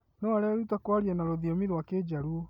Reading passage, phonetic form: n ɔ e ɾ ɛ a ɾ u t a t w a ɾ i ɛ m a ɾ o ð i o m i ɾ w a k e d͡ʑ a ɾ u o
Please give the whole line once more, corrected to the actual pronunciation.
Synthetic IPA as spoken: n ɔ a ɾ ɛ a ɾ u t a k w a ɾ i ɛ n a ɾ o ð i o m i ɾ w a k e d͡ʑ a ɾ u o